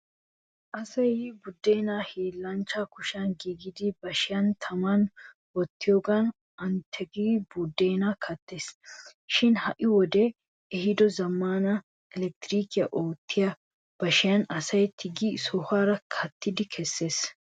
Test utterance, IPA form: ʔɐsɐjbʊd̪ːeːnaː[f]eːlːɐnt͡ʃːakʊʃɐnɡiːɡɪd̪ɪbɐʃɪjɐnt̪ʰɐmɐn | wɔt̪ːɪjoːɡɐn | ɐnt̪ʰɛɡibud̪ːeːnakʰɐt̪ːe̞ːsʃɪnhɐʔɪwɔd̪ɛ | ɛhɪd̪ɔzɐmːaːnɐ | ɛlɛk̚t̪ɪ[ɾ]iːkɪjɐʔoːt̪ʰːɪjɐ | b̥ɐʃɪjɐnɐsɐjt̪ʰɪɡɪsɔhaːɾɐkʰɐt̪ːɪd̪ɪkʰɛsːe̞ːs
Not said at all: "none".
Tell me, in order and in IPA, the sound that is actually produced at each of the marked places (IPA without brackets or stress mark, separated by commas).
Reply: h, ɾ